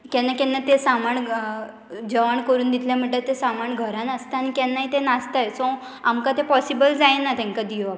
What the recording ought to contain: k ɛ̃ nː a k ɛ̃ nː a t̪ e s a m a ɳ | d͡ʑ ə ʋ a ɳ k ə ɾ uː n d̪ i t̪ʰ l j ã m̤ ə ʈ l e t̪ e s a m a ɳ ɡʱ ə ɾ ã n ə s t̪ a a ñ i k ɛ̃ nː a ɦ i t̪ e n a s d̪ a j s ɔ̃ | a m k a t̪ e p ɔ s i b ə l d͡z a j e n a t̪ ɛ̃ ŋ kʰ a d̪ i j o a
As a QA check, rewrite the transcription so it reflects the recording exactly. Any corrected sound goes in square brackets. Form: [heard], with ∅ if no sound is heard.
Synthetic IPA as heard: k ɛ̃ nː a k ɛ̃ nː a t̪ e s a m a ɳ | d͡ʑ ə ʋ a ɳ k ə ɾ uː n d̪ i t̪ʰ l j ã m̤ ə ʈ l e t̪ e s a m a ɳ ɡʱ ə ɾ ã n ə s t̪ a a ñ i k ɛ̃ nː a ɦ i t̪ e n a s [t̪] a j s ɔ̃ | a m k a t̪ e p ɔ s i b ə l d͡z a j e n a t̪ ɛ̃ ŋ [k] a d̪ i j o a